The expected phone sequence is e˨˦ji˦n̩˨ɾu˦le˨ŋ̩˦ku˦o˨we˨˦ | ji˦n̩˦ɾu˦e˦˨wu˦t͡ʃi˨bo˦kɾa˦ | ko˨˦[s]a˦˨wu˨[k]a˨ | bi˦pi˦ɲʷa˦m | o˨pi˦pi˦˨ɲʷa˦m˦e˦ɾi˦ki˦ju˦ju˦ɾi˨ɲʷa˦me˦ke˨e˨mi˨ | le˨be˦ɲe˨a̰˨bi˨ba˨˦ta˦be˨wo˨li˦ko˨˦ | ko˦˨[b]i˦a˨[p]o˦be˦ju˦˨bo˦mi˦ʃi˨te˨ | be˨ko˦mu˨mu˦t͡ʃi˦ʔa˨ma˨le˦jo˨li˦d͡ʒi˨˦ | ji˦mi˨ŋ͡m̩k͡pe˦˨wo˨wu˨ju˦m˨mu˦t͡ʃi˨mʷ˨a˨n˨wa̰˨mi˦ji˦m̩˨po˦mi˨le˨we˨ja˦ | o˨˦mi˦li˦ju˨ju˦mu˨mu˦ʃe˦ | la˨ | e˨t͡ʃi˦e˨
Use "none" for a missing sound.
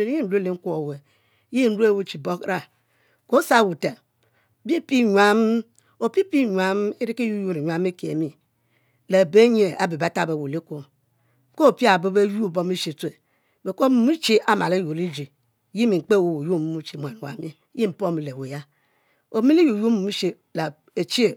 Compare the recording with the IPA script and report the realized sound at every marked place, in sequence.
s, t, p, b

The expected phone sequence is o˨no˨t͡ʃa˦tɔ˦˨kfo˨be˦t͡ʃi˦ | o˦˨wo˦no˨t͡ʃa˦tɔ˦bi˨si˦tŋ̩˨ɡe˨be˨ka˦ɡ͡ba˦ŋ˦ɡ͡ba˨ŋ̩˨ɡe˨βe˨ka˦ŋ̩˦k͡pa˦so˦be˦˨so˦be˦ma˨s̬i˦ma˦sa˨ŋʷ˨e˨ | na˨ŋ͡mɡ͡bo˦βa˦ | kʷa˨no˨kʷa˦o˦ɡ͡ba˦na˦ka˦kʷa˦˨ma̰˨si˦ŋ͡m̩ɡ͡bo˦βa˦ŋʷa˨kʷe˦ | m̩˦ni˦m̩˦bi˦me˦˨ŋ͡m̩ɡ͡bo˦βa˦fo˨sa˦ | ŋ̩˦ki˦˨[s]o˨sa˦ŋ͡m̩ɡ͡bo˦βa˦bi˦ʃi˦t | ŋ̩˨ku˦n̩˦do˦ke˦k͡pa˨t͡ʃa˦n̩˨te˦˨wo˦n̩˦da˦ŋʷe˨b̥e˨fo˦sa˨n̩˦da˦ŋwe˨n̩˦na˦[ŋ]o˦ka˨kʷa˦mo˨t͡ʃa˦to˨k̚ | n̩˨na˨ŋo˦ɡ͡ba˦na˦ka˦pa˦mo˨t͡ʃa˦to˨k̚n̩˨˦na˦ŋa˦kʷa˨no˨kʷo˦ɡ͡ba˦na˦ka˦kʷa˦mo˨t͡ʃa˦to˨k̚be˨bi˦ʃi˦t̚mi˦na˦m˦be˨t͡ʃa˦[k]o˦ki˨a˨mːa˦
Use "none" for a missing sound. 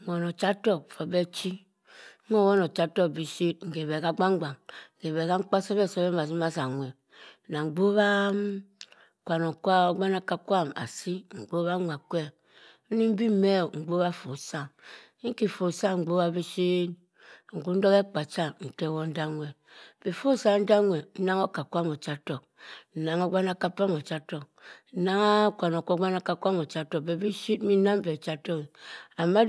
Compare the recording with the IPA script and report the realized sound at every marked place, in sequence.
f, ŋ, t

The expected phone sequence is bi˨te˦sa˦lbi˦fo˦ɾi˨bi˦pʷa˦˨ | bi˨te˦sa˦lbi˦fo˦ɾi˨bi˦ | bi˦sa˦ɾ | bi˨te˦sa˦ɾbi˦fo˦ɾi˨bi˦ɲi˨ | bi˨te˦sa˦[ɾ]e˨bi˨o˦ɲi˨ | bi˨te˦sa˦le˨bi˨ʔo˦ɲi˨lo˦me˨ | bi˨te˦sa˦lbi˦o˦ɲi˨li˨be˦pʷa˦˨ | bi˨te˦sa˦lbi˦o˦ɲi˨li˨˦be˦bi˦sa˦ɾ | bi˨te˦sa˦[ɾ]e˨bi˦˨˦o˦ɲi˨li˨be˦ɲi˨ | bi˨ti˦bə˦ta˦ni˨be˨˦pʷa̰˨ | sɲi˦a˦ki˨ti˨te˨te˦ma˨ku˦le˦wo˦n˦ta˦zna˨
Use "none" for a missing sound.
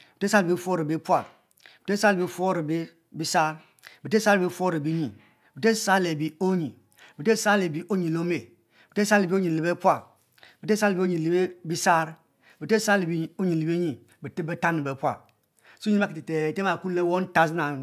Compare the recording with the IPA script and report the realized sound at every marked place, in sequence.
l, l

